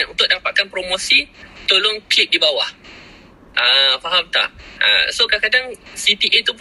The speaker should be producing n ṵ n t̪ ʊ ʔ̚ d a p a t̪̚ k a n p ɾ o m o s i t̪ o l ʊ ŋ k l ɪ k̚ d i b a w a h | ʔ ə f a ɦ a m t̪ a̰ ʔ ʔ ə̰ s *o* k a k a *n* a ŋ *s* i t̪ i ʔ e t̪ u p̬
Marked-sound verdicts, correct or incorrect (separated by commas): correct, incorrect, correct